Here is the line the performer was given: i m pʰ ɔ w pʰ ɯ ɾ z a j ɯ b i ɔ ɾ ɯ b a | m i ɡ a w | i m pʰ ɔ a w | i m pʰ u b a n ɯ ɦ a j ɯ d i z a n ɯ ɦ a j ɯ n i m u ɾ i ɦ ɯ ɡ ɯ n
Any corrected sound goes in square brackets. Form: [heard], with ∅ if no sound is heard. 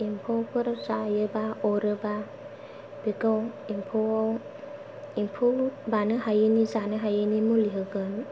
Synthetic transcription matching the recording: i m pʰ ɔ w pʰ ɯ ɾ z a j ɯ b [a] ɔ ɾ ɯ b a | [b] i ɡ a w | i m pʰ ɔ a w | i m pʰ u b a n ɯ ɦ a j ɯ [n] i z a n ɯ ɦ a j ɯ n i m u [l] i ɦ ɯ ɡ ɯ n

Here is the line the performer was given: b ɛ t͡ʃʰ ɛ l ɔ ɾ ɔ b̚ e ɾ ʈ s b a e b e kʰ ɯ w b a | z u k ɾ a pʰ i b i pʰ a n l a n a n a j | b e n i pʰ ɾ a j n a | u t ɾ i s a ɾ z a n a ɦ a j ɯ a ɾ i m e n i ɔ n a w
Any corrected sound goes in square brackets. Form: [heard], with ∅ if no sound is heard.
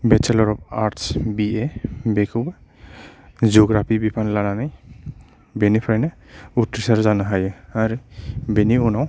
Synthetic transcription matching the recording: b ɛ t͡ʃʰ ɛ l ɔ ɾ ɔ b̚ [a] ɾ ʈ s b [i] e b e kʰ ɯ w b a | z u [ɡ] ɾ a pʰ i b i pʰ a n l a n a n a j | b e n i pʰ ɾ a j n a | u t ɾ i s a ɾ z a n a ɦ a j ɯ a ɾ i [b] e n i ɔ n a w

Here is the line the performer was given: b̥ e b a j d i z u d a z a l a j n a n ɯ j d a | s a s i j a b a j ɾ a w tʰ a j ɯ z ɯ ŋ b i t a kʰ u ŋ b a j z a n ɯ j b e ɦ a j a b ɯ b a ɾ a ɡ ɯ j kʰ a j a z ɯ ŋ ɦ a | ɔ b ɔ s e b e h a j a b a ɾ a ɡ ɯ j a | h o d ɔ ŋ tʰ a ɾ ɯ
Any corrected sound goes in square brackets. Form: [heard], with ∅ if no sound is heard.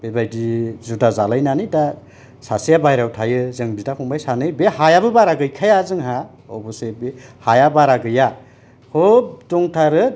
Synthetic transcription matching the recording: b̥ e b a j d i z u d a z a l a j n a n ɯ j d a | s a s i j a b a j ɾ a w tʰ a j ɯ z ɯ ŋ b i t a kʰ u ŋ b a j [s] a n ɯ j b e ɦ a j a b ɯ b a ɾ a ɡ ɯ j kʰ a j a z ɯ ŋ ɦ a | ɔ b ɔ s e b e h a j a b a ɾ a ɡ ɯ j a | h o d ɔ ŋ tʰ a ɾ ɯ

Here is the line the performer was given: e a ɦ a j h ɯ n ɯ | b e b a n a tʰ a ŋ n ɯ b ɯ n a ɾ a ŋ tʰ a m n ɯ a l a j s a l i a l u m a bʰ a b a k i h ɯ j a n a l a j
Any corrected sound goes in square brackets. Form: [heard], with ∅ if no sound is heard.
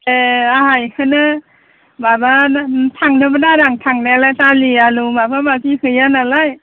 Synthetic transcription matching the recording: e a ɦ a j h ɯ n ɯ | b [a] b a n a tʰ a ŋ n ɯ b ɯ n a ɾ a ŋ tʰ a [ŋ] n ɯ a l a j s a l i a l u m a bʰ a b a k i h ɯ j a n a l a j

